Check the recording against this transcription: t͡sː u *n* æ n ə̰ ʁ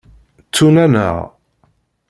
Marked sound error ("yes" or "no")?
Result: no